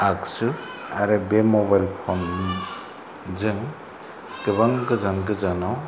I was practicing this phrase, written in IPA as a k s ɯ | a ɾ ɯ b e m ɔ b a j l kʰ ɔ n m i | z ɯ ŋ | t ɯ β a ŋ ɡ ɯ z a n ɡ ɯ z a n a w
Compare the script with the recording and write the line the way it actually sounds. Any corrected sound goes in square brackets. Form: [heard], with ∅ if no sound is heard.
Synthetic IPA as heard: a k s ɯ | a ɾ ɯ b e m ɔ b a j l [pʰ] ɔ n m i | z ɯ ŋ | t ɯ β a ŋ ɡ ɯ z a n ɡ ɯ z a n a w